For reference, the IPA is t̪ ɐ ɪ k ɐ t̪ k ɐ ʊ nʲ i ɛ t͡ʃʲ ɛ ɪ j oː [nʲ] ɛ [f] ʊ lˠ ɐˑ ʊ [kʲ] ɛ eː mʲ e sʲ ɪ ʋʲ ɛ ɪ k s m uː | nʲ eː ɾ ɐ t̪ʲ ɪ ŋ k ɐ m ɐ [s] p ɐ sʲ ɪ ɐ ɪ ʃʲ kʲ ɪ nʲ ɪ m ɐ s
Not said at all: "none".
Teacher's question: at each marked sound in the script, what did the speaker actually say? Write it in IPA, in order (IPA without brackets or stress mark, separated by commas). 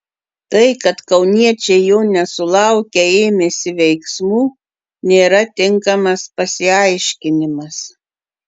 nʲ, s, kʲ, s